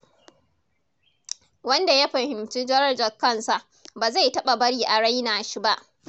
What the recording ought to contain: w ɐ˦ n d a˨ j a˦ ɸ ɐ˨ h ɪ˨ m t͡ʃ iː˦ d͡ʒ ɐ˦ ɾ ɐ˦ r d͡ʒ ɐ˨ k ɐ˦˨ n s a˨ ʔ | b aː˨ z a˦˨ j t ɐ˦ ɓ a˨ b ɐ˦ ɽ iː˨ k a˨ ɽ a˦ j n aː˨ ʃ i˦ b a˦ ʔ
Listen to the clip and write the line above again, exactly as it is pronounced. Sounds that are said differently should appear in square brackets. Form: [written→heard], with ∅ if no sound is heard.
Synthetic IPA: w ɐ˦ n d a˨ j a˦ ɸ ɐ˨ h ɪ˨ m t͡ʃ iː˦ d͡ʒ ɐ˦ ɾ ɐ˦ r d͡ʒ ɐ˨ k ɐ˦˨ n s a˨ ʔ | b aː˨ z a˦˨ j t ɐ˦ ɓ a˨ b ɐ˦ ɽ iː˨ [k→ʔ] a˨ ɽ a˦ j n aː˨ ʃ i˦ b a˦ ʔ

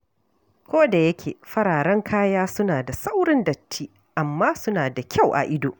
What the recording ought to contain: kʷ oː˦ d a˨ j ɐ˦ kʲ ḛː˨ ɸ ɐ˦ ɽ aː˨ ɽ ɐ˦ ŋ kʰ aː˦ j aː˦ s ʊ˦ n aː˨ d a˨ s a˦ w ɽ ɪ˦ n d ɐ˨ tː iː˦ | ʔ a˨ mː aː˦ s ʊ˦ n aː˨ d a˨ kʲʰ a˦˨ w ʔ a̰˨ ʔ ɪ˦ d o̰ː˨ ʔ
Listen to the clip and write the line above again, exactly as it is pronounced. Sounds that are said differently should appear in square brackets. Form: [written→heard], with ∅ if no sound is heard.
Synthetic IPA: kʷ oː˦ d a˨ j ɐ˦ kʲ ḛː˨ ɸ ɐ˦ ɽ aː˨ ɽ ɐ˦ ŋ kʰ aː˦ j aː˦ s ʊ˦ n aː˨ d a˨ s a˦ w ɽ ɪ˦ n d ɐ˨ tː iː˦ | ʔ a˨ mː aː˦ s ʊ˦ n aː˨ d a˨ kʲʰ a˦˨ w ʔ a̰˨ ʔ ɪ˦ d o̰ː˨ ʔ

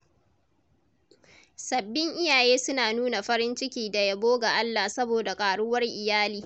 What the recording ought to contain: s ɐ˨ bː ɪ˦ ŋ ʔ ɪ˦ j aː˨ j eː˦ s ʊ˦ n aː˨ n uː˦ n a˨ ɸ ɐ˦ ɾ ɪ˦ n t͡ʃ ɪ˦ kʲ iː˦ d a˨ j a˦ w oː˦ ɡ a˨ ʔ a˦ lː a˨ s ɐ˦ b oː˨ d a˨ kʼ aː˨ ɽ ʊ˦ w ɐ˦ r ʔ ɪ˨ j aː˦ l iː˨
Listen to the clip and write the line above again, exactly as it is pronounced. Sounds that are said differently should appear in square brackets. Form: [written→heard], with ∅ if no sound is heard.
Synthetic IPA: s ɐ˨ bː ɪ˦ ŋ ʔ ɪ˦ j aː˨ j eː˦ s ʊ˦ n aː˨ n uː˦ n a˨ ɸ ɐ˦ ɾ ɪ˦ n t͡ʃ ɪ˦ kʲ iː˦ d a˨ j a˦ [w→b] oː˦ ɡ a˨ ʔ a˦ lː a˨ s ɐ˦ b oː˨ d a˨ kʼ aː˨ ɽ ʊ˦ w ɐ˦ r ʔ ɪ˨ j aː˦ l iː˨

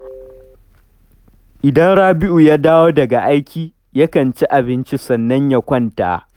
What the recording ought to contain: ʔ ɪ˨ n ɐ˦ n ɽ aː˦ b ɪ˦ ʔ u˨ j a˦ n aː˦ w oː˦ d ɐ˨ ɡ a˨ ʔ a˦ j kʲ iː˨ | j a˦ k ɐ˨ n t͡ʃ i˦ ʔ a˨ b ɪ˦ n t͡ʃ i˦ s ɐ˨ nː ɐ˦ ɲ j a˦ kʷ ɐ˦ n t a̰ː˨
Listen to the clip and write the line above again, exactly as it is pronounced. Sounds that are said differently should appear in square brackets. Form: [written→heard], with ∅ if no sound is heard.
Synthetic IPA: ʔ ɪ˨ [n→d] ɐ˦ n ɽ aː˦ b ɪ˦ ʔ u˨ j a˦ [n→d] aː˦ w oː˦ d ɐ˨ ɡ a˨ ʔ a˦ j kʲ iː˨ | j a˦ k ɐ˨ n t͡ʃ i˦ ʔ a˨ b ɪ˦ n t͡ʃ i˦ s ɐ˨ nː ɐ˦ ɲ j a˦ kʷ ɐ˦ n t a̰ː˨

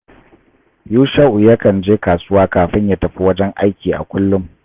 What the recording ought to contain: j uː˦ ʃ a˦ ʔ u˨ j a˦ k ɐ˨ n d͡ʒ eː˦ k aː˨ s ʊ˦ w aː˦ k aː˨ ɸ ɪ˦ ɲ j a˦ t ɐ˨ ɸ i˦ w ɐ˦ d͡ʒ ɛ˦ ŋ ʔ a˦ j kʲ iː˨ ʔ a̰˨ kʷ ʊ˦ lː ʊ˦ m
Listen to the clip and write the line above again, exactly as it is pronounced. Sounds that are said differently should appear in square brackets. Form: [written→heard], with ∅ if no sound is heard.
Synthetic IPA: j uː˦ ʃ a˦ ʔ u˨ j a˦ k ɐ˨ n d͡ʒ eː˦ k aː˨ s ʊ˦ w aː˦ k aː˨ ɸ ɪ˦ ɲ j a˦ t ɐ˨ ɸ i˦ w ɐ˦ d͡ʒ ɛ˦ ŋ ʔ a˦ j kʲ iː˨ ʔ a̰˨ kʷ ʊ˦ lː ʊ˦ m

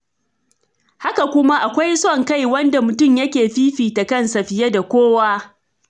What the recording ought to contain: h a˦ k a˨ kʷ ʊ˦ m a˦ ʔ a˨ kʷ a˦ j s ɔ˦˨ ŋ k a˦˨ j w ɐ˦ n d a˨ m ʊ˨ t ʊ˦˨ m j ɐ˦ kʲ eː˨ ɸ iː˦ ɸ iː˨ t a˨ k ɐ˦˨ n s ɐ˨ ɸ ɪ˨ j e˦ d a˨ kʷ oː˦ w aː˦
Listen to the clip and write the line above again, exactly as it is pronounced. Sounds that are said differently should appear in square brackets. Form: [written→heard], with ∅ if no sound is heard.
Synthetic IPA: h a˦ k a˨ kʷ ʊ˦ m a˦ ʔ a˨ kʷ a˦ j s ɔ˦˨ ŋ k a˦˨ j w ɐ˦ n d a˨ m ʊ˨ t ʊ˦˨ m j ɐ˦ kʲ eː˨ ɸ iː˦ ɸ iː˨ t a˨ k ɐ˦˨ n s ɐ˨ ɸ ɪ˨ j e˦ d a˨ kʷ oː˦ w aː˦

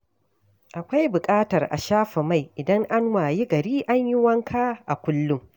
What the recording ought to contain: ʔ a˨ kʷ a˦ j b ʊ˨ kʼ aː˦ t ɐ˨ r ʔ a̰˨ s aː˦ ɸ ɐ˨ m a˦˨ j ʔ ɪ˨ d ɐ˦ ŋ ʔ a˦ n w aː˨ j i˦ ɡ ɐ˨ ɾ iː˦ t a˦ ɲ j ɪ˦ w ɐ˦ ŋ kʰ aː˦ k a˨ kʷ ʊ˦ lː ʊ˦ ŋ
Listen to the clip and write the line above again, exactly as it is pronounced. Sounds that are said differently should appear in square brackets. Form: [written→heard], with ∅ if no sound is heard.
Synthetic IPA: ʔ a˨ kʷ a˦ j b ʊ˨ kʼ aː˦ t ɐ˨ r ʔ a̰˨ [s→ʃ] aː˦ ɸ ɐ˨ m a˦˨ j ʔ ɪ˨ d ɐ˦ ŋ ʔ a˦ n w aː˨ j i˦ ɡ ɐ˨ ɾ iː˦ [t→ʔ] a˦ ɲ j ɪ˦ w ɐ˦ ŋ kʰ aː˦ [k→ʔ] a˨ kʷ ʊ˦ lː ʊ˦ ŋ

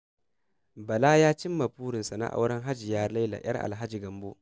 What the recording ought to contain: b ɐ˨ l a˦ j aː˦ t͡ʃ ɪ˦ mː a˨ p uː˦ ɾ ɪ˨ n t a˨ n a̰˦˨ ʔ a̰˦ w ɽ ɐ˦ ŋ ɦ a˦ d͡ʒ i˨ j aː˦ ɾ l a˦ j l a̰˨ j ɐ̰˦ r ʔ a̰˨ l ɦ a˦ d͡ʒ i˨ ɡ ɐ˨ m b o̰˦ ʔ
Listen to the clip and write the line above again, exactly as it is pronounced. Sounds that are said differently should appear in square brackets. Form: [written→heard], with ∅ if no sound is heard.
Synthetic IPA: b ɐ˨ l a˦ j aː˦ t͡ʃ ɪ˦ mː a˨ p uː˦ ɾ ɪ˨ n [t→s] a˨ n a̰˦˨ ʔ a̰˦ w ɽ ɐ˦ ŋ ɦ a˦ d͡ʒ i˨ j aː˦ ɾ l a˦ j l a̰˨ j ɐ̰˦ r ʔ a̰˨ l ɦ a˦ d͡ʒ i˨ ɡ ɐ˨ m b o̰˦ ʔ

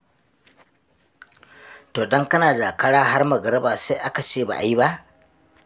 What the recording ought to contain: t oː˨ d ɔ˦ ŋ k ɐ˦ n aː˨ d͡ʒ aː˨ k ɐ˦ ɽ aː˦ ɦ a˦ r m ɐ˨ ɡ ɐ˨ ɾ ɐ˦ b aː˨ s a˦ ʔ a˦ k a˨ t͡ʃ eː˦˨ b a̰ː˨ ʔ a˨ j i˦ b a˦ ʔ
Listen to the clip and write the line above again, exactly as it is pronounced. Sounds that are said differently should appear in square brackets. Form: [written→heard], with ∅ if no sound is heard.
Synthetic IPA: t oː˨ d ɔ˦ ŋ k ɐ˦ n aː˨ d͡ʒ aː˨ k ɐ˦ ɽ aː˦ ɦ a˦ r m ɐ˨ ɡ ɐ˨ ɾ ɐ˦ b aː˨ s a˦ ʔ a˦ k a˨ t͡ʃ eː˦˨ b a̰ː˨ ʔ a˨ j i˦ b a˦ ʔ

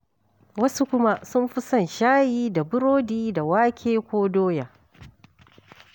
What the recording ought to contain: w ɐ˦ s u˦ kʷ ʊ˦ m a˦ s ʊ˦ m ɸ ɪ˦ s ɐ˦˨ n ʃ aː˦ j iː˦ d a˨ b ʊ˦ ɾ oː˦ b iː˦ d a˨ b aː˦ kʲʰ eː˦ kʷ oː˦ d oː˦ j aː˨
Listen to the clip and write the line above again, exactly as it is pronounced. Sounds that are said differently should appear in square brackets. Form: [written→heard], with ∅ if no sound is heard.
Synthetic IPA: w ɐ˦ s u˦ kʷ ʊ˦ m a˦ s ʊ˦ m ɸ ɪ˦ s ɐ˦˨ n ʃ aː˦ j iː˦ d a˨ b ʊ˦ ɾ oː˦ [b→d] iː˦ d a˨ [b→w] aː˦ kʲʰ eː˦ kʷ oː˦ d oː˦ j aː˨

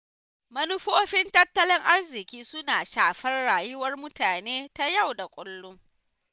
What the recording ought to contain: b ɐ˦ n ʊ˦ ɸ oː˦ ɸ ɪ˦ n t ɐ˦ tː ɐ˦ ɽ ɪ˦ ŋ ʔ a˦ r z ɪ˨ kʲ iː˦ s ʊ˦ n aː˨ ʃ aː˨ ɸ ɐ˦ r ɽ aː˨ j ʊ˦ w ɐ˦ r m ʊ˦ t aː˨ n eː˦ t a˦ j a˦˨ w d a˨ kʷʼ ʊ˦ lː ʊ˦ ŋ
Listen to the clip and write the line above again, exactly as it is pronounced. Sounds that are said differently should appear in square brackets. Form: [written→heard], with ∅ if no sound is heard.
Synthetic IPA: [b→m] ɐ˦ n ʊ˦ ɸ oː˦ ɸ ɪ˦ n t ɐ˦ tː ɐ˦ [ɽ→l] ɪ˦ ŋ ʔ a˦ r z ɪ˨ kʲ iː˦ s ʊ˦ n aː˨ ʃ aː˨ ɸ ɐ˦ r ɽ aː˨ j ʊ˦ w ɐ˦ r m ʊ˦ t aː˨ n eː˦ t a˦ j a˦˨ w d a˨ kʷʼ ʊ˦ lː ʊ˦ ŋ

